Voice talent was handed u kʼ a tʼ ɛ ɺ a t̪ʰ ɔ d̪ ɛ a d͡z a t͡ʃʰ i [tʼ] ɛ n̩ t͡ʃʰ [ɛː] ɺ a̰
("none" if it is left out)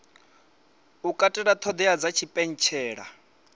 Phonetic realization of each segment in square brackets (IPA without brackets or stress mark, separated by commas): pʼ, ɛː